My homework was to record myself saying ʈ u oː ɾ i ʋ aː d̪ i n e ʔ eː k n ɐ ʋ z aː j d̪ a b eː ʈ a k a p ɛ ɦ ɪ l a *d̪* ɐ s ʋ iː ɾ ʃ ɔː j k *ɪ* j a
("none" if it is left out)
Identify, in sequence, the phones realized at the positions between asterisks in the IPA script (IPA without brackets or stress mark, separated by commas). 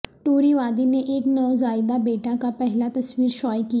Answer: t̪, i